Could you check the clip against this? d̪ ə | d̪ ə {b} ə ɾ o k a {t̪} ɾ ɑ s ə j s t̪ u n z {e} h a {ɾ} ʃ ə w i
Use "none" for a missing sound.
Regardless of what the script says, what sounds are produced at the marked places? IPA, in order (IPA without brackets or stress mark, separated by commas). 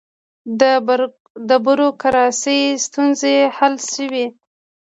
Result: b, none, e, l